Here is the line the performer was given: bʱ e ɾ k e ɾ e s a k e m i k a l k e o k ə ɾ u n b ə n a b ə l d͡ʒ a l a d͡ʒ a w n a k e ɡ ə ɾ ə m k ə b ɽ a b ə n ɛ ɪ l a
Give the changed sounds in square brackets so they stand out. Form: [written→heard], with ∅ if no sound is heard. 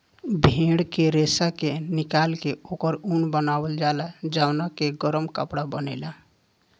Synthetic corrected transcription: bʱ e [ɾ→ɽ] k e ɾ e s a k e [m→n] i k a l k e o k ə ɾ u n b ə n a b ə l d͡ʒ a l a d͡ʒ a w n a k e ɡ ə ɾ ə m k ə [b→p] ɽ a b ə n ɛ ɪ l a